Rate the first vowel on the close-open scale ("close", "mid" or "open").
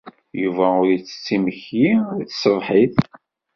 close